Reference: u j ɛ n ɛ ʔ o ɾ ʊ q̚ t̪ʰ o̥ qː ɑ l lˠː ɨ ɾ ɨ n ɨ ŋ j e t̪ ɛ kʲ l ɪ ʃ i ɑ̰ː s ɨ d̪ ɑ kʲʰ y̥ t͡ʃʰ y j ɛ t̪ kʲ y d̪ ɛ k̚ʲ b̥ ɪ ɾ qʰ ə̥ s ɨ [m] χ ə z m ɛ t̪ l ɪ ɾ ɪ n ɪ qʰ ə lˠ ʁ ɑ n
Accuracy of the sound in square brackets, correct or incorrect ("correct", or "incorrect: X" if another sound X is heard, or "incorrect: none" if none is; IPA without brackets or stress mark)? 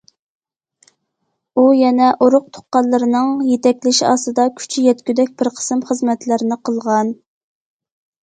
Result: correct